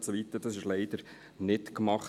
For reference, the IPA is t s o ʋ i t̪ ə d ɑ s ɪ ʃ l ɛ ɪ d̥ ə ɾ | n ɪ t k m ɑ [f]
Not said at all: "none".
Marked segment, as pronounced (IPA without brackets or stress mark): χ